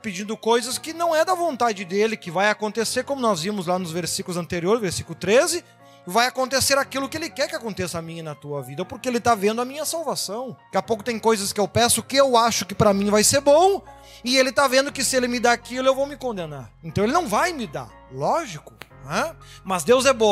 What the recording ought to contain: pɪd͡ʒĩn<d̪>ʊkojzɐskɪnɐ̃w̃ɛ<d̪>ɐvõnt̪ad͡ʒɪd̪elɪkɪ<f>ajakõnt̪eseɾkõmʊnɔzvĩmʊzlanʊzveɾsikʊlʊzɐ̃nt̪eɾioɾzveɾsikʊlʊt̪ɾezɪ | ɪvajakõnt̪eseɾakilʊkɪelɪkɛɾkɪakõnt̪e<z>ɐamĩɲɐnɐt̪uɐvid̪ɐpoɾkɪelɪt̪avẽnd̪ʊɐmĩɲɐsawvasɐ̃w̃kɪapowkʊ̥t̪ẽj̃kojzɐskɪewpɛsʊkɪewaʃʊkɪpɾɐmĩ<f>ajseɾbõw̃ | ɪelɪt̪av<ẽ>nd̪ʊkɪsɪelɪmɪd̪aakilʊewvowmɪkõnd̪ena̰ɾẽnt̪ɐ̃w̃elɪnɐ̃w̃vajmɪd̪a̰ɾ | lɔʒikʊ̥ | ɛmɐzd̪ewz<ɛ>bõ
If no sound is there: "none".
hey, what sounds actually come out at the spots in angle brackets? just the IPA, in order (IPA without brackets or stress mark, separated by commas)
d̪, d̪, v, s, v, ẽ, ɛ